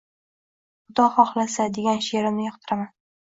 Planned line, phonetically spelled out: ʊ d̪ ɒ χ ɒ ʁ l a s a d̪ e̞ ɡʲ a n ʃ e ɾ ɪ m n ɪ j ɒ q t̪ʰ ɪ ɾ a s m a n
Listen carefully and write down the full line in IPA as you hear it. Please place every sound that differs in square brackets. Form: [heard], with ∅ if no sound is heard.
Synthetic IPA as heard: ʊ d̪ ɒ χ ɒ [χ] l a s a d̪ e̞ ɡʲ a n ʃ e ɾ ɪ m n ɪ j ɒ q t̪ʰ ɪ ɾ a [∅] m a n